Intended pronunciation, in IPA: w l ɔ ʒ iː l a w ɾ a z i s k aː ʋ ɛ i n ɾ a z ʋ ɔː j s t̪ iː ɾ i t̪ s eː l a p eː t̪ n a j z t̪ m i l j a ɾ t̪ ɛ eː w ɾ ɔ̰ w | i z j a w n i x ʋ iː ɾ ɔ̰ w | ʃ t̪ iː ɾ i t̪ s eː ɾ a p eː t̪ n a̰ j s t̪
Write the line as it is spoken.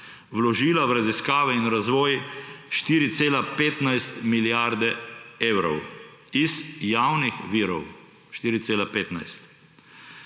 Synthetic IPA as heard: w l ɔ ʒ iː l a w ɾ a z i s k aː ʋ ɛ i n ɾ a z ʋ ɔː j ʃ t̪ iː ɾ i t̪ s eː l a p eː t̪ n a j s t̪ m i l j a ɾ d̪ ɛ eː w ɾ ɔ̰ w | i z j a w n i x ʋ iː ɾ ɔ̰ w | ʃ t̪ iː ɾ i t̪ s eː l a p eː t̪ n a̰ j s t̪

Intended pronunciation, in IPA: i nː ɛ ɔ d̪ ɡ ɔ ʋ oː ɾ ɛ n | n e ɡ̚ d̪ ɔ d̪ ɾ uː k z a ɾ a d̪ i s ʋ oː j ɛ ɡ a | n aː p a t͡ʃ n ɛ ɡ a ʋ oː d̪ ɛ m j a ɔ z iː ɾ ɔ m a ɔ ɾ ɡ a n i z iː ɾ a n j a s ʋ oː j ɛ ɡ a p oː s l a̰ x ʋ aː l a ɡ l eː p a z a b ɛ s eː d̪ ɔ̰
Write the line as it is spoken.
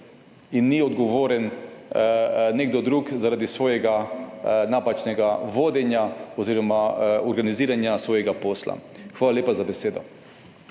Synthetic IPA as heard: i nː i ɔ d̪ ɡ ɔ ʋ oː ɾ ɛ n | n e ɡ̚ d̪ ɔ d̪ ɾ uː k z a ɾ a d̪ i s ʋ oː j ɛ ɡ a | n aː p a t͡ʃ n ɛ ɡ a ʋ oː d̪ ɛ n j a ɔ z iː ɾ ɔ m a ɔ ɾ ɡ a n i z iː ɾ a n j a s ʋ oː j ɛ ɡ a p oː s l a̰ x ʋ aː l a l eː p a z a b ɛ s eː d̪ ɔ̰

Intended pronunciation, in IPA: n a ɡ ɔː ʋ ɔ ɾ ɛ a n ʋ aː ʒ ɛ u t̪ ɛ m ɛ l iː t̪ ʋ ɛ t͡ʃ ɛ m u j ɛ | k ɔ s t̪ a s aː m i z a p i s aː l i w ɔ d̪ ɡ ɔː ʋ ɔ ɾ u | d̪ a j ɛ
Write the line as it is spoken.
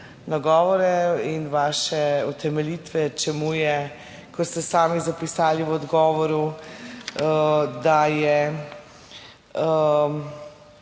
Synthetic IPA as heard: n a ɡ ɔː ʋ ɔ ɾ ɛ i n ʋ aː ʃ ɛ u t̪ ɛ m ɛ l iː t̪ ʋ ɛ t͡ʃ ɛ m u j ɛ | k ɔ s t̪ ɛ s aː m i z a p i s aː l i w ɔ d̪ ɡ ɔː ʋ ɔ ɾ u | d̪ a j ɛ

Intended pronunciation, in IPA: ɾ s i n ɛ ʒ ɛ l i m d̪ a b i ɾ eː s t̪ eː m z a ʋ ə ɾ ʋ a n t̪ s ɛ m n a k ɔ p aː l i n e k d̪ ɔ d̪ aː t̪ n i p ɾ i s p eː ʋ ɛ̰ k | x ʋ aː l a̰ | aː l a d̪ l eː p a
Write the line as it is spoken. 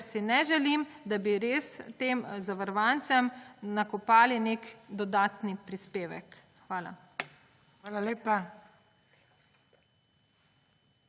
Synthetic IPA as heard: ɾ s i n ɛ ʒ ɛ l i m d̪ a b i ɾ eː s t̪ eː m z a ʋ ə ɾ ʋ a n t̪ s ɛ m n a k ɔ p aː l i n e k d̪ ɔ d̪ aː t̪ n i p ɾ i s p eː ʋ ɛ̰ k | x ʋ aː l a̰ | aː l a l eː p a

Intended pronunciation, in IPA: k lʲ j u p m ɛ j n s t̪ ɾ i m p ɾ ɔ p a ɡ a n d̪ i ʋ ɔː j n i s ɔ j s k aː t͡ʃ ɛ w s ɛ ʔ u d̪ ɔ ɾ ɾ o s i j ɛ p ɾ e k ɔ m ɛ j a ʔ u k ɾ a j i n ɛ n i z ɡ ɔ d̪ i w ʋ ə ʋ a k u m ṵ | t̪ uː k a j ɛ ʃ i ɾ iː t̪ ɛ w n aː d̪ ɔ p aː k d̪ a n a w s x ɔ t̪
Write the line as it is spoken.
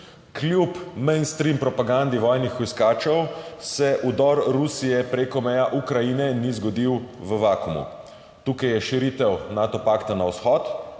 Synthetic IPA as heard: k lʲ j u p m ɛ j n s t̪ ɾ i m p ɾ ɔ p a ɡ a n d̪ i ʋ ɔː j n i x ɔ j s k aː t͡ʃ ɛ w s ɛ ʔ u d̪ ɔ ɾ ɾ u s i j ɛ p ɾ e k ɔ m ɛ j a ʔ u k ɾ a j i n ɛ n i z ɡ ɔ d̪ i w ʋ ə ʋ a k u m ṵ | t̪ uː k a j ɛ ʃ i ɾ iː t̪ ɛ w n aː t̪ ɔ p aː k t̪ a n a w s x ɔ t̪

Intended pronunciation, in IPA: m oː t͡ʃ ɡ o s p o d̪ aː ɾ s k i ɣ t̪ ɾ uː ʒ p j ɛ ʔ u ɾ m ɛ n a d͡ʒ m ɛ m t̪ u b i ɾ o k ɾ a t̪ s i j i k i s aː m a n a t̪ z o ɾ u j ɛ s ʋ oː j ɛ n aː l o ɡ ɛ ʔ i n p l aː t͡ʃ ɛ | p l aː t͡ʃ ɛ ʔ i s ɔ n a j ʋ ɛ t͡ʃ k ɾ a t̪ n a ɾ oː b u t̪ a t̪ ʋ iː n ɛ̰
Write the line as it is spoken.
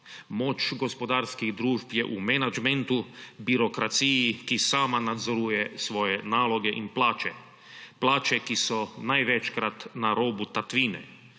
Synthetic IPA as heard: m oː t͡ʃ ɡ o s p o d̪ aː ɾ s k i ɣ d̪ ɾ uː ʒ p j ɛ ʔ u m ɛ n a d͡ʒ m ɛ n t̪ u b i ɾ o k ɾ a t̪ s i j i k i s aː m a n a d̪ z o ɾ u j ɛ s ʋ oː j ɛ n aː l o ɡ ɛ ʔ i n p l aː t͡ʃ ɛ | p l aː t͡ʃ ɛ k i s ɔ n a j ʋ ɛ t͡ʃ k ɾ a t̪ n a ɾ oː b u t̪ a t̪ ʋ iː n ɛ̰

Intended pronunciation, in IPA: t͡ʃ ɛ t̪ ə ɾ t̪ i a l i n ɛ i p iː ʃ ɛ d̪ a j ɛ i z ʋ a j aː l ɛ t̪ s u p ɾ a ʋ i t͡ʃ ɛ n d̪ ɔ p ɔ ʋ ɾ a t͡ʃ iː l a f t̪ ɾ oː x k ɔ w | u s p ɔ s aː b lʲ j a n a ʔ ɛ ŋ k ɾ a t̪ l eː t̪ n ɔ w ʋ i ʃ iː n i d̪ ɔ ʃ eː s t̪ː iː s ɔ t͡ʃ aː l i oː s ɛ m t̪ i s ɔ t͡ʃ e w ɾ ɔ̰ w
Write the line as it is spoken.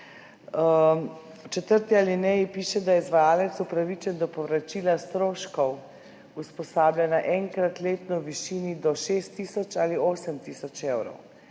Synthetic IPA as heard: t͡ʃ ɛ t̪ ə ɾ t̪ i a l i n ɛ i p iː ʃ ɛ d̪ a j ɛ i z ʋ a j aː l ɛ t̪ s u p ɾ a ʋ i t͡ʃ ɛ n d̪ ɔ p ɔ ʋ ɾ a t͡ʃ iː l a s t̪ ɾ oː ʃ k ɔ w | u s p ɔ s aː b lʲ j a n a ʔ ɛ ŋ k ɾ a t̪ l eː t̪ n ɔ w ʋ i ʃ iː n i d̪ ɔ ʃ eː s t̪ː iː s ɔ t͡ʃ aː l i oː s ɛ m t̪ i s ɔ t͡ʃ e w ɾ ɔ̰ w

